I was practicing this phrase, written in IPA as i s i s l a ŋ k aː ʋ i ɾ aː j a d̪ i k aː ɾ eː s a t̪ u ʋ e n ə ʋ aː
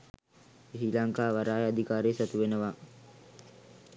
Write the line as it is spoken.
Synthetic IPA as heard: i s i l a ŋ k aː ʋ a ɾ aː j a d̪ i k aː ɾ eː s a t̪ u ʋ e n ə ʋ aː